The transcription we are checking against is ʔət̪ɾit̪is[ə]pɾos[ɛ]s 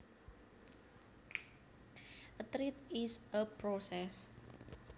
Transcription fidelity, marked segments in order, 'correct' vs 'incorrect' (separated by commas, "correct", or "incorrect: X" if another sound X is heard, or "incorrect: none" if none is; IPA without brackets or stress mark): correct, correct